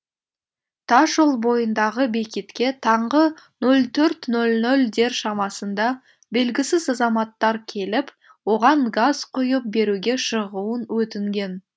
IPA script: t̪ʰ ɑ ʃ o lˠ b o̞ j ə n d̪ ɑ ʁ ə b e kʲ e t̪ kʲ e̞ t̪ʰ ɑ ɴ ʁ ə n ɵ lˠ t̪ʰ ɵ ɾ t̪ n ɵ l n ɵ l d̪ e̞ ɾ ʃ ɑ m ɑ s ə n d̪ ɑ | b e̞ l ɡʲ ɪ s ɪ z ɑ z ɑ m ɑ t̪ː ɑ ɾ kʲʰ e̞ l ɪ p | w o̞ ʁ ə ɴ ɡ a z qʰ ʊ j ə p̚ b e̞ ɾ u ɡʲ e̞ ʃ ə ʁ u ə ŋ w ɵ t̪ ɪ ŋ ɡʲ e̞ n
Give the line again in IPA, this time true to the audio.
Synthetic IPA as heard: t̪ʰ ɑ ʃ o lˠ b o̞ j ə n d̪ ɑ ʁ ə b e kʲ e t̪ kʲ e̞ t̪ʰ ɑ ɴ ʁ ə n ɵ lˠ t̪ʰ ɵ ɾ t̪ n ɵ l n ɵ l d̪ e̞ ɾ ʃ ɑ m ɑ s ə n d̪ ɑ | b e̞ l ɡʲ ɪ s ɪ z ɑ z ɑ m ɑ t̪ː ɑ ɾ kʲʰ e̞ l ɪ p | w o̞ ʁ ɑ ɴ ɡ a z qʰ ʊ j ə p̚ b e̞ ɾ u ɡʲ e̞ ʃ ə ʁ u ə n w ɵ t̪ ɪ ŋ ɡʲ e̞ n